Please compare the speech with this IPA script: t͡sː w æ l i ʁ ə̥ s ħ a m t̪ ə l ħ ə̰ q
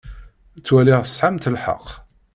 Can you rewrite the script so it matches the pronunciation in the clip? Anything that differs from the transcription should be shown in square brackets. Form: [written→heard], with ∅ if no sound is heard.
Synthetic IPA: t͡sː w æ l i ʁ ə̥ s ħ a m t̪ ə l ħ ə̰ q